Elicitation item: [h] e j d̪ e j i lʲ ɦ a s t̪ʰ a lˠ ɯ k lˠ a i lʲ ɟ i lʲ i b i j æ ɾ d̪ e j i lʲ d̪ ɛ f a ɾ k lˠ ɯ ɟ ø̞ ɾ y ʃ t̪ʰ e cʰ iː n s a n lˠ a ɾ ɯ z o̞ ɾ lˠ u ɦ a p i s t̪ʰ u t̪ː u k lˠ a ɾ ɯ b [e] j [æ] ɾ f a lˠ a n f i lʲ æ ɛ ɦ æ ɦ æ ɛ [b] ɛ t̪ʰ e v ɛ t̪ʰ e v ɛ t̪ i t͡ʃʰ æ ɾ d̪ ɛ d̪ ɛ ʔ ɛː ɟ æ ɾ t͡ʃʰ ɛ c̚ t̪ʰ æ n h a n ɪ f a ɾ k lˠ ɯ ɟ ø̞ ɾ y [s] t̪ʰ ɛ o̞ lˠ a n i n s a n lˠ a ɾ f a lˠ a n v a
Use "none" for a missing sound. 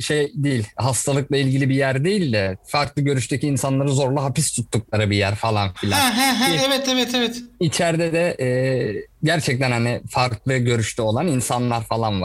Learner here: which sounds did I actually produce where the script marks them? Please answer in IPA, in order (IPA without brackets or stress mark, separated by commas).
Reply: ʃ, i, æ, v, ʃ